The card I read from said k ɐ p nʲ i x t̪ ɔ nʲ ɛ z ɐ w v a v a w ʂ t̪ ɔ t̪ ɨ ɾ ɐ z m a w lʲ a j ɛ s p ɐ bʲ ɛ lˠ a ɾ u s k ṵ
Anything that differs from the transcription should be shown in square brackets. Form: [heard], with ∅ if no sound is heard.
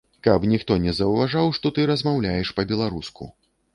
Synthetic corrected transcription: k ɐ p nʲ i x t̪ ɔ nʲ ɛ z ɐ w v a [ʐ] a w ʂ t̪ ɔ t̪ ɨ ɾ ɐ z m a w lʲ a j ɛ [ʂ] p ɐ bʲ ɛ lˠ a ɾ u s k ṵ